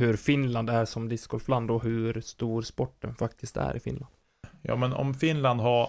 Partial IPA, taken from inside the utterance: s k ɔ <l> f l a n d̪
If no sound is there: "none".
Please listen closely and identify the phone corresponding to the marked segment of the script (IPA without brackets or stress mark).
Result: l